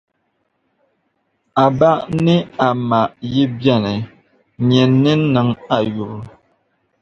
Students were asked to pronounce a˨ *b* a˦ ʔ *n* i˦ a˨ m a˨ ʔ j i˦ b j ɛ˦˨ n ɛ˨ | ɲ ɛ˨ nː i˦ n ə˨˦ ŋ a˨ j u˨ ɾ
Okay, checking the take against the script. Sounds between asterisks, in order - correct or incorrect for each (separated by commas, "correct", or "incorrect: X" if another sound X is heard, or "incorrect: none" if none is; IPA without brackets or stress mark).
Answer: correct, correct